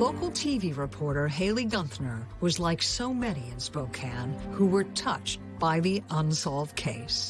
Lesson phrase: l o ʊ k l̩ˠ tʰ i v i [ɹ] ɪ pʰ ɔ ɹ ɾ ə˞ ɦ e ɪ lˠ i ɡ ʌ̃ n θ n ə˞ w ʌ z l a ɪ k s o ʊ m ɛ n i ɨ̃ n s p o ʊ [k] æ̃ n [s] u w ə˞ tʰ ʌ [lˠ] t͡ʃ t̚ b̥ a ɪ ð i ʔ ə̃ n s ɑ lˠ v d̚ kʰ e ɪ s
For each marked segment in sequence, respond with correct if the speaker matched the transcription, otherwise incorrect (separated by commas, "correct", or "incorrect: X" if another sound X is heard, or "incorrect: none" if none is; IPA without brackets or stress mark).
correct, incorrect: kʰ, incorrect: h, incorrect: none